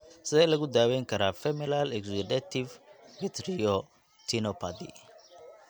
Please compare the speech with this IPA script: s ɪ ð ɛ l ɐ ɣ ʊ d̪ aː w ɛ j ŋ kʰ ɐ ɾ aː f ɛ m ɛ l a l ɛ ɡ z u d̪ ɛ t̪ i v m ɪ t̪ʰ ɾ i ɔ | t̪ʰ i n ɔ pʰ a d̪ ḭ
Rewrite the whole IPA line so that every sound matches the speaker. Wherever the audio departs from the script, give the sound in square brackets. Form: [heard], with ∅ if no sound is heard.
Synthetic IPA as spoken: s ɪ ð ɛ l ɐ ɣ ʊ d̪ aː w ɛ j ŋ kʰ ɐ ɾ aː f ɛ m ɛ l a l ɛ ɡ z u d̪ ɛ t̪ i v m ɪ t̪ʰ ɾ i ɔ | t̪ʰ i n ɔ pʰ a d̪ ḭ

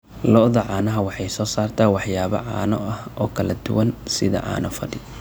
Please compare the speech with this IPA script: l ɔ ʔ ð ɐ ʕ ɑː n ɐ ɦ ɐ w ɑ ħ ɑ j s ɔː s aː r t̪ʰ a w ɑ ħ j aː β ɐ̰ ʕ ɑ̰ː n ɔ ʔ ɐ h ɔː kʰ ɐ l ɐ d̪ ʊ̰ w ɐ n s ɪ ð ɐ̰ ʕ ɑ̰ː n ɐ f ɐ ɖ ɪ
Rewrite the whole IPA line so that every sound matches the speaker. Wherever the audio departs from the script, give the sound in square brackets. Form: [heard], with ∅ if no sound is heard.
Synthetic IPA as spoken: l ɔ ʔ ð ɐ ʕ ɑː n ɐ ɦ ɐ w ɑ ħ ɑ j s ɔː s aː r t̪ʰ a w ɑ ħ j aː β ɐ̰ ʕ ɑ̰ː n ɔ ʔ ɐ h ɔː kʰ ɐ l ɐ d̪ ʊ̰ w ɐ n s ɪ ð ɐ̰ ʕ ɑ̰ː n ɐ f ɐ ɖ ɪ

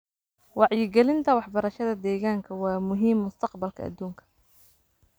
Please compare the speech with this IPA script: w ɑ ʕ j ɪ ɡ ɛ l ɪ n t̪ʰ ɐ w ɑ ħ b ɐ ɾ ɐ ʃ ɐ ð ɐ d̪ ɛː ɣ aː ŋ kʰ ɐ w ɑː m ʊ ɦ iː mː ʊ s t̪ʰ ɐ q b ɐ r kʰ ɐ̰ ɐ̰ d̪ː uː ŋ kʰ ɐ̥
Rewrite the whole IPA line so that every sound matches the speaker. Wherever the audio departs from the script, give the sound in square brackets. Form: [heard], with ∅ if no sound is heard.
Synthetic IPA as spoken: w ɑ ʕ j ɪ ɡ ɛ l ɪ n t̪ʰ ɐ w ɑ ħ b ɐ ɾ ɐ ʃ ɐ ð ɐ d̪ ɛː ɣ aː ŋ kʰ ɐ w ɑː m ʊ ɦ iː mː ʊ s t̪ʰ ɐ q b ɐ [l] kʰ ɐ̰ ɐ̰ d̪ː uː ŋ kʰ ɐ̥

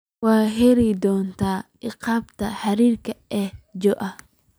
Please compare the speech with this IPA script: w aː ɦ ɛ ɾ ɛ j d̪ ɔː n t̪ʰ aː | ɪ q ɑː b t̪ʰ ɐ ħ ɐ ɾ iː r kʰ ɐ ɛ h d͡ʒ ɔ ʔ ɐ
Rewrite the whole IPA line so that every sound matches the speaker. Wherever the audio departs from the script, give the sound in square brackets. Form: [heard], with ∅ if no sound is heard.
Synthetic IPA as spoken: w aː ɦ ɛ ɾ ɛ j d̪ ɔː n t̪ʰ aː | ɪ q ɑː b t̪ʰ ɐ ħ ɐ ɾ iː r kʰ ɐ ɛ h d͡ʒ ɔ ʔ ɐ

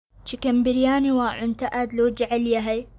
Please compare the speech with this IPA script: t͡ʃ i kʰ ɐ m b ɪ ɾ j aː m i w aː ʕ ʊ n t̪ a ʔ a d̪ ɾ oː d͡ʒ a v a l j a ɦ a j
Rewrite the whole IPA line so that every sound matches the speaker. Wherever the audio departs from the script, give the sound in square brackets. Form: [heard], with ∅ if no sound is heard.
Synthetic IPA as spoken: t͡ʃ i [k] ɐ m b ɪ ɾ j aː [n] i w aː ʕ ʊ n t̪ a ʔ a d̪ [l] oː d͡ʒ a [ʕ] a l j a ɦ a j

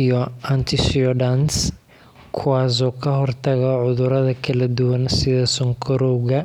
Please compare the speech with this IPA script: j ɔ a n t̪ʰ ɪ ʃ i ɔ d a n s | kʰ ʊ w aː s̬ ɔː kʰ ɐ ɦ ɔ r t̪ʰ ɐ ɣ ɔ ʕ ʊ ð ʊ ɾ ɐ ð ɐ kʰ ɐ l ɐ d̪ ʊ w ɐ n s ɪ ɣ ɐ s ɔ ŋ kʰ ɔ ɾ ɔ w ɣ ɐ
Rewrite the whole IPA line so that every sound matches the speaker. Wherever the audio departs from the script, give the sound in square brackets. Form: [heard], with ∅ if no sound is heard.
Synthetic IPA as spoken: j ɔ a n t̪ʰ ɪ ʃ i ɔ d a n s | kʰ ʊ w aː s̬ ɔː kʰ ɐ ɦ ɔ r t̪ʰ ɐ ɣ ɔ ʕ ʊ ð ʊ ɾ ɐ ð ɐ kʰ ɐ l ɐ d̪ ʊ w ɐ n s ɪ [ð] ɐ s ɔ ŋ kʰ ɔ ɾ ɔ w ɣ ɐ

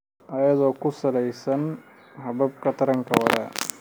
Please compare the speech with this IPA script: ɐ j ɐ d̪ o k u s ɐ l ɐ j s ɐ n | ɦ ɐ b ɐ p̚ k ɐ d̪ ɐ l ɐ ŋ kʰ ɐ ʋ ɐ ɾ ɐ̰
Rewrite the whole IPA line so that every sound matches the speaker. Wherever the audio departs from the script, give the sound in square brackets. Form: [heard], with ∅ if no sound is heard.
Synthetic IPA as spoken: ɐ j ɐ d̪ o k u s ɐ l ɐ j s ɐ n | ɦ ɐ b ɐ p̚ k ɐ [t̪] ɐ [ɾ] ɐ ŋ [k] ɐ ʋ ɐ ɾ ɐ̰

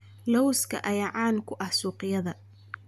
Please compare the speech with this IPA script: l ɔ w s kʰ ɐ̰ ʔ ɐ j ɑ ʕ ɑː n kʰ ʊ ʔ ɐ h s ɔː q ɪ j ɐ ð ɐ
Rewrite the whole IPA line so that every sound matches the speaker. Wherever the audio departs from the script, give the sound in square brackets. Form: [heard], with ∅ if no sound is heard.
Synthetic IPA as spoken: l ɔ w s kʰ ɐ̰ ʔ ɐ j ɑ ʕ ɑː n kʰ ʊ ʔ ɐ h s [uː] q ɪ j ɐ ð ɐ

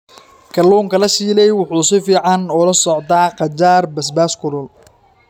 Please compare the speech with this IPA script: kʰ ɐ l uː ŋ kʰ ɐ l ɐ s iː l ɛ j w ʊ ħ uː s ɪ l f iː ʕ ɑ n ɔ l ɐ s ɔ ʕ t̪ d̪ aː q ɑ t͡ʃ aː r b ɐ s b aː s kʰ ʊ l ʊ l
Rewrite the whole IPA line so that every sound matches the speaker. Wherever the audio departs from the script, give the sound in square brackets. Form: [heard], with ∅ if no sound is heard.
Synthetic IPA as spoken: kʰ ɐ l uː ŋ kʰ ɐ l ɐ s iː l ɛ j w ʊ ħ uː s ɪ [∅] f iː ʕ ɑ n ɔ l ɐ s ɔ ʕ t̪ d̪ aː q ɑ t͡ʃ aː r b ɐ s b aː s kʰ ʊ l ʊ l

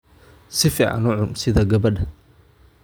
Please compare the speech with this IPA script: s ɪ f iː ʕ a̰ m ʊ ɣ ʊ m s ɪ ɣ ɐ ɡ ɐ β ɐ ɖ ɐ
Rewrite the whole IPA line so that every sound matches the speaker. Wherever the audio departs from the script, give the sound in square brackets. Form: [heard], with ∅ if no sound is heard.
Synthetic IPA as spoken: s ɪ f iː ʕ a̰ [n] ʊ [ʕ] ʊ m s ɪ [ð] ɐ ɡ ɐ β ɐ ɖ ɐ

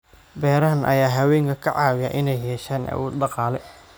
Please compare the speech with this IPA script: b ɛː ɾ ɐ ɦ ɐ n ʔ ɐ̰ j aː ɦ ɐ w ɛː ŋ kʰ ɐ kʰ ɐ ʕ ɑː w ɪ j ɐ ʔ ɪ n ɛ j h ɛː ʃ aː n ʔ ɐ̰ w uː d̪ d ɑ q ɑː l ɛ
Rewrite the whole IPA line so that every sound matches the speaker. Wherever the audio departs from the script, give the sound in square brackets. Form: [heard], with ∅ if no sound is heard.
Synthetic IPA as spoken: b ɛː ɾ ɐ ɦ ɐ n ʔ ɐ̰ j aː ɦ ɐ w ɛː ŋ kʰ ɐ kʰ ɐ ʕ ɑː w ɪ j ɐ ʔ ɪ n ɛ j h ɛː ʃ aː n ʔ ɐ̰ w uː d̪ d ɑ q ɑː l ɛ

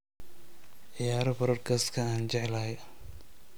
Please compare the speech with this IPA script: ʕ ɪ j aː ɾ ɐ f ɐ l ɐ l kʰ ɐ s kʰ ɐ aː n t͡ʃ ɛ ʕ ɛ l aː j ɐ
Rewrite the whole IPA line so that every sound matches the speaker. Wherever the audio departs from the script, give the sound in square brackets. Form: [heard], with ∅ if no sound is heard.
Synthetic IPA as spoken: ʕ ɪ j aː ɾ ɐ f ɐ [ɾ] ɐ [r] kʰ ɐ s kʰ ɐ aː n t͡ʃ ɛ ʕ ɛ l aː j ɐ

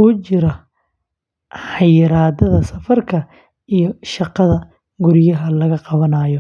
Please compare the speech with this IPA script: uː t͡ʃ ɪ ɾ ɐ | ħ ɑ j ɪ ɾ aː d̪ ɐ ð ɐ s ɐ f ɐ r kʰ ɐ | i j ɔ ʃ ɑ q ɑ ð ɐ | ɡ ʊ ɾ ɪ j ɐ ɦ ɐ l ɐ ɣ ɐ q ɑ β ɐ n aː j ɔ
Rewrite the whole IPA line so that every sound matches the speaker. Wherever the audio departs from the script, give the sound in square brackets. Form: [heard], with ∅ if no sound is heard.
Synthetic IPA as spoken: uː t͡ʃ ɪ ɾ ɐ | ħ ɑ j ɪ ɾ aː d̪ ɐ ð ɐ s ɐ f ɐ r kʰ ɐ | i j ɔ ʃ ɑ q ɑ ð ɐ | ɡ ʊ ɾ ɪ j ɐ ɦ ɐ l ɐ ɣ ɐ q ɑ β ɐ n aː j ɔ

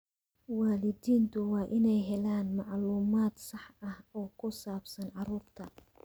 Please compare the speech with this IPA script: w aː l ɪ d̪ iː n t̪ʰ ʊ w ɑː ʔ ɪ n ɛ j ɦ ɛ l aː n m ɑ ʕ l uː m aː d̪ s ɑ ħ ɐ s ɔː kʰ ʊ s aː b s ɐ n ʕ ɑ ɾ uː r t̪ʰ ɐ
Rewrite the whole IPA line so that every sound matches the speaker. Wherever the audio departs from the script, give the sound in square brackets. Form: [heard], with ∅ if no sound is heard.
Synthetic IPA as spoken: w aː l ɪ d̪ iː n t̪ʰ ʊ w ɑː ʔ ɪ n ɛ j ɦ ɛ l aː n m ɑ ʕ l uː m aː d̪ s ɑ ħ ɐ [h] ɔː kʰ ʊ s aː b s ɐ n ʕ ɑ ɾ uː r t̪ʰ ɐ

